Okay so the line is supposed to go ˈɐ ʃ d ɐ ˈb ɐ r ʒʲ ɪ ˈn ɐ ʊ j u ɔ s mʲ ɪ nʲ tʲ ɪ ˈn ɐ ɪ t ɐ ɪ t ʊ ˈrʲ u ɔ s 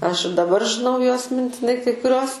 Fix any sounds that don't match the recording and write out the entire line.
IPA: ˈɐ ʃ d ɐ ˈb ɐ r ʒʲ ɪ ˈn ɐ ʊ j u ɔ s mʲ ɪ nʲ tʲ ɪ ˈn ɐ ɪ k ɐ ɪ k ʊ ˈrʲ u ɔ s